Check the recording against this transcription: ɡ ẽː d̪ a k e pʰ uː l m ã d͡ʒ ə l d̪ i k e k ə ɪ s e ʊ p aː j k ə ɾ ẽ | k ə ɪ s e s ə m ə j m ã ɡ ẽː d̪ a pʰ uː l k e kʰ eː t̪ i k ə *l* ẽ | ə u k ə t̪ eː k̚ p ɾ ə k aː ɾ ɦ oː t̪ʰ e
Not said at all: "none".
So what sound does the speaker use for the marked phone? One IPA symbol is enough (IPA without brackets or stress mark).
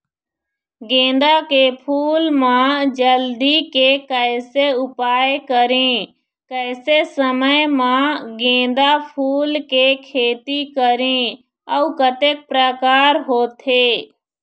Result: ɾ